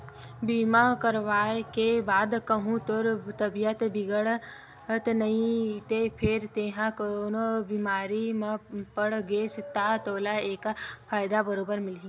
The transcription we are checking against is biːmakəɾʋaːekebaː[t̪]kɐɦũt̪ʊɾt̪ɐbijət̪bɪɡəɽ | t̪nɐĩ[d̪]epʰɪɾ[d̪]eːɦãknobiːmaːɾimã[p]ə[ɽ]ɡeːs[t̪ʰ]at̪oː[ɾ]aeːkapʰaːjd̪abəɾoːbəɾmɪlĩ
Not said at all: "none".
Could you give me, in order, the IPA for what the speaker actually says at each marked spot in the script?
d̪, t̪, t̪, p, ɽ, t̪, l

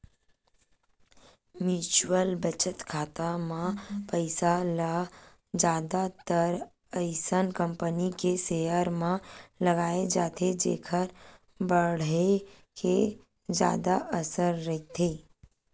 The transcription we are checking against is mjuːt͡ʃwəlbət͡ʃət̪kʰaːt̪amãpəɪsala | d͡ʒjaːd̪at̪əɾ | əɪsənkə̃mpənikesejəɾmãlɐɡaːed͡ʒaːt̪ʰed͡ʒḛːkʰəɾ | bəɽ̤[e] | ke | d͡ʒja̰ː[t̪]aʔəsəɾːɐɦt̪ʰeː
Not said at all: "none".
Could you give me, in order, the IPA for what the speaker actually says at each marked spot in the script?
e, d̪

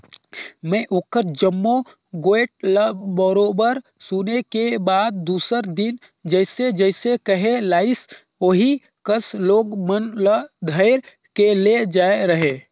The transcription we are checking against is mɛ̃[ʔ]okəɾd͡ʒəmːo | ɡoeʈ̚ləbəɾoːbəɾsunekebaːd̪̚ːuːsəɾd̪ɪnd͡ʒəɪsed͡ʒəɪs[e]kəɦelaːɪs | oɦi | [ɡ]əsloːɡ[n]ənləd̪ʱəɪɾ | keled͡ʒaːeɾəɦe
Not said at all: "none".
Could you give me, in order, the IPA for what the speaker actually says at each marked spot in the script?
ʔ, e, k, m

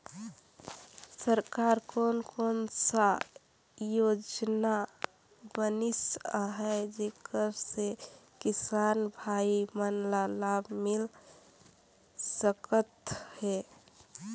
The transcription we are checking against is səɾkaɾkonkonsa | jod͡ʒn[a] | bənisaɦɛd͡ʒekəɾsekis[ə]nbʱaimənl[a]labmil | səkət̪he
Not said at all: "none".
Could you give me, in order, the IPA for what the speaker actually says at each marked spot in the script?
a, a, a

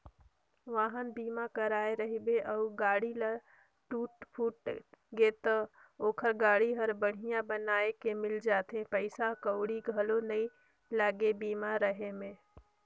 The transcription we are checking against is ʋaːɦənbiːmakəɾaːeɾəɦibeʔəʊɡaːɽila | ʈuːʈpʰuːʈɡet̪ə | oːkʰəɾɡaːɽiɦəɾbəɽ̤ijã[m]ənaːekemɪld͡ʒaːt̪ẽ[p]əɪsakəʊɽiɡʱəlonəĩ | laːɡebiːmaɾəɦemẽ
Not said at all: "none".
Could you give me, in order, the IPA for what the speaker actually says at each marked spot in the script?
b, p

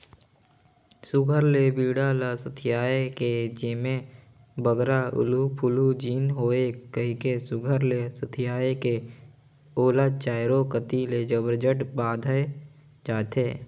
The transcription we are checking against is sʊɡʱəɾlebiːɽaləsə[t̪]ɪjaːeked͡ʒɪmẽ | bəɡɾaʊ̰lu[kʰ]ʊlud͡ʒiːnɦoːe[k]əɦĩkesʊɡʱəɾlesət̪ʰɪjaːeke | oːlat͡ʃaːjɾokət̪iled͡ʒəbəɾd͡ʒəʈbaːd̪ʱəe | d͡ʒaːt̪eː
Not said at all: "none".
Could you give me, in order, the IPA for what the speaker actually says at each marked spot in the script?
t̪ʰ, pʰ, k

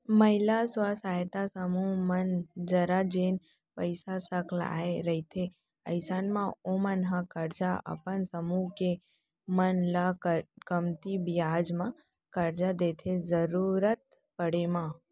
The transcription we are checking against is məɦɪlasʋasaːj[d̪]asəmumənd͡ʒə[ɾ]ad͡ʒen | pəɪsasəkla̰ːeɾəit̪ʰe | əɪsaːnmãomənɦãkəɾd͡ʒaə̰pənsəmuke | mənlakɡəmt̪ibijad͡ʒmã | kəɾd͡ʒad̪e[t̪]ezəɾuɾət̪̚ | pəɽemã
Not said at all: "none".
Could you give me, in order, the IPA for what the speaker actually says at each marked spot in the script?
t̪, ɾ, t̪ʰ

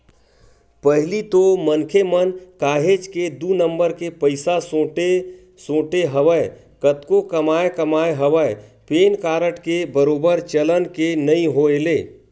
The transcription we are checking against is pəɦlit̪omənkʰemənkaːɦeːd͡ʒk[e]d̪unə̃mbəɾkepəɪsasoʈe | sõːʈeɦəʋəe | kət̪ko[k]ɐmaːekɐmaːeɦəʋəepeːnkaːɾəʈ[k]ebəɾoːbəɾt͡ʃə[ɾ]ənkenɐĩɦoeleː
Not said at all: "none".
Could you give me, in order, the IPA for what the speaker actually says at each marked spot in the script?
e, k, k, l

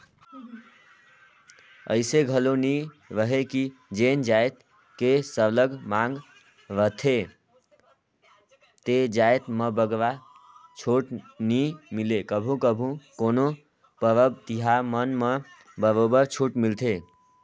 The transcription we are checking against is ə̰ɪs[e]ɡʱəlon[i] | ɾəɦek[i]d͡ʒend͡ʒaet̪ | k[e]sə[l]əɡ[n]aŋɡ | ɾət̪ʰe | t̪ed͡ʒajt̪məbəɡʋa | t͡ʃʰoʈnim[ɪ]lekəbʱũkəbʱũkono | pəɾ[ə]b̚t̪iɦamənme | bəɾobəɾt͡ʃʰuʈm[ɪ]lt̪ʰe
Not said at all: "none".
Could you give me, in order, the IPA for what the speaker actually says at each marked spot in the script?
e, i, i, e, l, m, i, ə, i

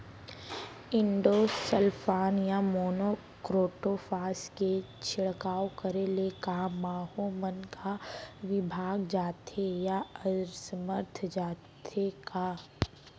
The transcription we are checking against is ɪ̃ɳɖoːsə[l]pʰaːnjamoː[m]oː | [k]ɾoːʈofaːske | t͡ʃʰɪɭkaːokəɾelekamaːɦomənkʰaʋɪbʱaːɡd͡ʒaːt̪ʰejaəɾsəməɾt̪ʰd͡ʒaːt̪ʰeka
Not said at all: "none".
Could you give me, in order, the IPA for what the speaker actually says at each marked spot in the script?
l, n, k

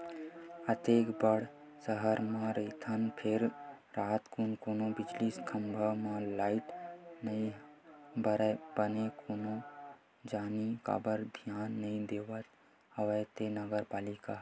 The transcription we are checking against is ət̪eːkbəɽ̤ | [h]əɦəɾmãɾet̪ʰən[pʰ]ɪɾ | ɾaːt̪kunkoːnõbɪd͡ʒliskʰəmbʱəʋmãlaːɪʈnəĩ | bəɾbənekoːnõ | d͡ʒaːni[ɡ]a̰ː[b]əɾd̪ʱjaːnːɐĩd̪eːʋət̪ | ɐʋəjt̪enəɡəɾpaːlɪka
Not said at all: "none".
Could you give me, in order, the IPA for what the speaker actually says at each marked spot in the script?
s, pʰ, k, b

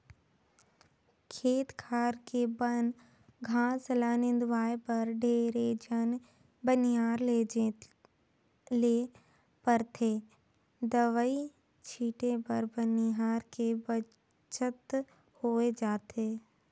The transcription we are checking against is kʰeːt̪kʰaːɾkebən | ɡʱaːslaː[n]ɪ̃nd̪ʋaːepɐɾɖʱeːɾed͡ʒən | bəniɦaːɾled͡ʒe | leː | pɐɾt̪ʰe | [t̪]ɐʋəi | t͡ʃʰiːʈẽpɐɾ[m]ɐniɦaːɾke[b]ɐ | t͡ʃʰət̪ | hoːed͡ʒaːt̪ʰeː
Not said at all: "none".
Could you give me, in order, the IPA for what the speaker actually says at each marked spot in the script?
n, d̪, b, b

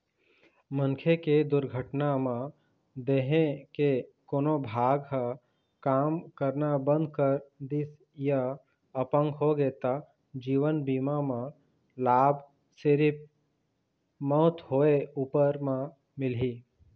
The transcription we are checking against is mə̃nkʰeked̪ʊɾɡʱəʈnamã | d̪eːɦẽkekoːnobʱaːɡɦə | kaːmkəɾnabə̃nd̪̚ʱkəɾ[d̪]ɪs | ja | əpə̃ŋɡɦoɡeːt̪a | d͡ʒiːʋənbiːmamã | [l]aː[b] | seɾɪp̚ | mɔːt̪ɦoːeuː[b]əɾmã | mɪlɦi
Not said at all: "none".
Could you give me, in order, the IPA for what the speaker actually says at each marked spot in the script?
d̪, l, b, p

